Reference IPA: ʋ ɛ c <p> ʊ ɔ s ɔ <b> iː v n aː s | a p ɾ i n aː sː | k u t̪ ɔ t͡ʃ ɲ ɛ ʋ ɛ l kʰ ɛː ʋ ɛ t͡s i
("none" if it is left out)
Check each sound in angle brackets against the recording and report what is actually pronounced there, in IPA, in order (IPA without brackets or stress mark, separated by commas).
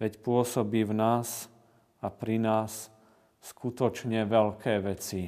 p, b